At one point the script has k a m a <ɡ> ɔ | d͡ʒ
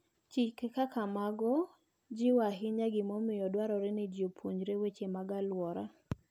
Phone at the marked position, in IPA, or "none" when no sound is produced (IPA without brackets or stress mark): ɡ